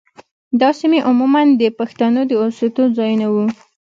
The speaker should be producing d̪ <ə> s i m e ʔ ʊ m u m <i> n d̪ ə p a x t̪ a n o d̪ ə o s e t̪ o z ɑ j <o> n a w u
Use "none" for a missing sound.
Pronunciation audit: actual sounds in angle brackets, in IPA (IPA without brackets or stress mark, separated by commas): ɑ, a, u